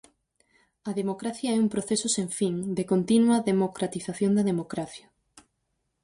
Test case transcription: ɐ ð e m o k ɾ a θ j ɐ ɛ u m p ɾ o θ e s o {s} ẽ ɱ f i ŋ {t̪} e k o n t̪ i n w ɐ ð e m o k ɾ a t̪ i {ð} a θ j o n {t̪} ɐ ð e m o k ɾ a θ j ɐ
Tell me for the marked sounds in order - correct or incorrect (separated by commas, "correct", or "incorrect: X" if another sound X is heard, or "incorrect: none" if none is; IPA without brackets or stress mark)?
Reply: correct, incorrect: d̪, incorrect: θ, incorrect: d̪